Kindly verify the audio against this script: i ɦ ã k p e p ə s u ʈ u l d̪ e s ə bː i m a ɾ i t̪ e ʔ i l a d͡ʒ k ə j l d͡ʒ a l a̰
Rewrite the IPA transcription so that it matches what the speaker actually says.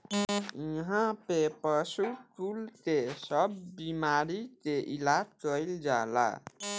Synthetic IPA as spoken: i ɦ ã p e p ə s u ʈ u l t̪ e s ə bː i m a ɾ i t̪ e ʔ i l a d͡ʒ k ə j l d͡ʒ a l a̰